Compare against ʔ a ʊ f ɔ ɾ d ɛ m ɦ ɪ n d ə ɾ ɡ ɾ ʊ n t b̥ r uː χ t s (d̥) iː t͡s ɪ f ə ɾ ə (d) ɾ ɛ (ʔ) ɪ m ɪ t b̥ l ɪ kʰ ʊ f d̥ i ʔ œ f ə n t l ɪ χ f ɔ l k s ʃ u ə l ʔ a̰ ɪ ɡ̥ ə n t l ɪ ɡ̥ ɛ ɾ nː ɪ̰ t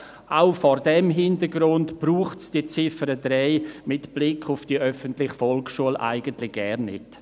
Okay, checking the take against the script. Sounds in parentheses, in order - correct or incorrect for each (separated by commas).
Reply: correct, correct, incorrect